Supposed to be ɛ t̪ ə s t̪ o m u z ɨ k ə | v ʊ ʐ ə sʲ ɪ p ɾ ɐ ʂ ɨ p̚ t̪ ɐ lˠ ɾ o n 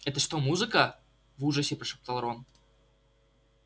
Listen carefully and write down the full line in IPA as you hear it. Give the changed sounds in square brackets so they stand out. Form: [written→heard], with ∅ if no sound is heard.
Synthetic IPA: ɛ t̪ ə [s→ʂ] t̪ o m u z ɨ k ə | v [ʊ→u] ʐ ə sʲ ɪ p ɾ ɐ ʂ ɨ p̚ t̪ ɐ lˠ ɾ o n